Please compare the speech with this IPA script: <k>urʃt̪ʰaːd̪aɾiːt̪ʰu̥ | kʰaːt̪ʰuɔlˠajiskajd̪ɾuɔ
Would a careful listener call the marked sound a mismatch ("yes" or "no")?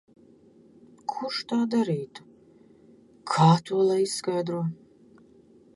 yes